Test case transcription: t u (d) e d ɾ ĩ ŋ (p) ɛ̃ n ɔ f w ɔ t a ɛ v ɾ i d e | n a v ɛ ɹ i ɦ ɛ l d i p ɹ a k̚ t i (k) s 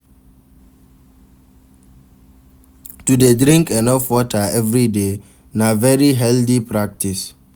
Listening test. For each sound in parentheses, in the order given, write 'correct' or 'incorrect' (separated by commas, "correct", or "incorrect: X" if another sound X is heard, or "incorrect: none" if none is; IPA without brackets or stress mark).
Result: correct, incorrect: k, incorrect: none